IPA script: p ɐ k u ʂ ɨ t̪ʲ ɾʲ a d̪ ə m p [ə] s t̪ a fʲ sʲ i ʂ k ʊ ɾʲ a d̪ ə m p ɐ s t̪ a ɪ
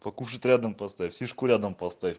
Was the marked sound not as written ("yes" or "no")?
yes